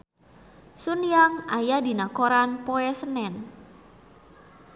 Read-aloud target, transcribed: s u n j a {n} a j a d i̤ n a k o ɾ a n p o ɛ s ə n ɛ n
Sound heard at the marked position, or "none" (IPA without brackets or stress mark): ŋ